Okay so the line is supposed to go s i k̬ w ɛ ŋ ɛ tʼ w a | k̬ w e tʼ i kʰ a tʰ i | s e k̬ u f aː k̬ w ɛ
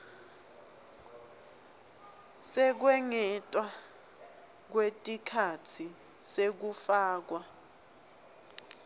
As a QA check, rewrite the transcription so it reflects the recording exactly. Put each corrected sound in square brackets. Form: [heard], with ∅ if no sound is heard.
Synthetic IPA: s [ɛ] k̬ w ɛ ŋ ɛ tʼ w a | k̬ w e tʼ i kʰ a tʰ i | s e k̬ u f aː k̬ w [a]

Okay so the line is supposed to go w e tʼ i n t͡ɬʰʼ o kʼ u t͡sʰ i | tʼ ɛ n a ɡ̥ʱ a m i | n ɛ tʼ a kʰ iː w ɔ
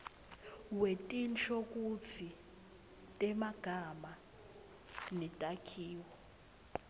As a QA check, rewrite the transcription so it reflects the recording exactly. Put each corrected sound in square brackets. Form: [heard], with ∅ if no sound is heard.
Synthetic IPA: w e tʼ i n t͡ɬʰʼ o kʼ u t͡sʰ i | tʼ ɛ [m] a ɡ̥ʱ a m [a] | n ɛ tʼ a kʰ iː w ɔ

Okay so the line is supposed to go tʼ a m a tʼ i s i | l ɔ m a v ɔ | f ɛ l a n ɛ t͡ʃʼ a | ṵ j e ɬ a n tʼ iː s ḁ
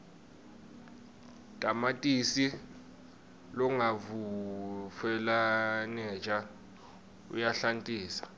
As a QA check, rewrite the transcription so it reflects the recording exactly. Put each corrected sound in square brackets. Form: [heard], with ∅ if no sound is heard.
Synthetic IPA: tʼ a m a tʼ i s i | l ɔ [ŋ] a v [u] | f ɛ l a n ɛ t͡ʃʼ a | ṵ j [a] ɬ a n tʼ iː s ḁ

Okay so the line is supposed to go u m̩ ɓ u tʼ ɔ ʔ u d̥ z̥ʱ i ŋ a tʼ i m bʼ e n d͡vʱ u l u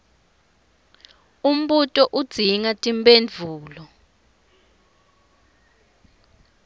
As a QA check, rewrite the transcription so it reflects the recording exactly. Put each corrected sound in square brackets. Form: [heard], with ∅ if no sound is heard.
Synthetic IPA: u m̩ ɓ u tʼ ɔ ʔ u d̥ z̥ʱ i ŋ a tʼ i m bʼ e n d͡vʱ [uː] l [ɔ]

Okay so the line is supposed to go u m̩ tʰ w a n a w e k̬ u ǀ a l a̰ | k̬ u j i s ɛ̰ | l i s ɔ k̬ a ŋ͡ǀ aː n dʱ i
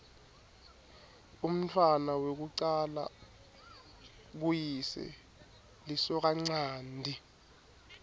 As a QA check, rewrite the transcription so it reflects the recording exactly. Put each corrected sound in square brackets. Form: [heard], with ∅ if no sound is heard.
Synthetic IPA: u m̩ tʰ w a n a w e k̬ u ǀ a l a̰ | k̬ u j i s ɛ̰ | l i s ɔ k̬ a ŋ͡ǀ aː n dʱ i

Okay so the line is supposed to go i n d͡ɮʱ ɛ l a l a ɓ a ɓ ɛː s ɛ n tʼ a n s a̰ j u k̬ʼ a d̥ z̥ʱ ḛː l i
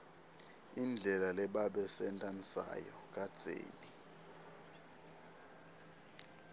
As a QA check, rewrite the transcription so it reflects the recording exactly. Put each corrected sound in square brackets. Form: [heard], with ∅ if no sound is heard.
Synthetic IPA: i n d͡ɮʱ ɛ l a l [ɛ] ɓ a ɓ [ɛ] s ɛ n tʼ a n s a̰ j [ɔ] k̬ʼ a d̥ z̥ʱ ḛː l i

